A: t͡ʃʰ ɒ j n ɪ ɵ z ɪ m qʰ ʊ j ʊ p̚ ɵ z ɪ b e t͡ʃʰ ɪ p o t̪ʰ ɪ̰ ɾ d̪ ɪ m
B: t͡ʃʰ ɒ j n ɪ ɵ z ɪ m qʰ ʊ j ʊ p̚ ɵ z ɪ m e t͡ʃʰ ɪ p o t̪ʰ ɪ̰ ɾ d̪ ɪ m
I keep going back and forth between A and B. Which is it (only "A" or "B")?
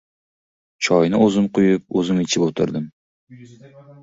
B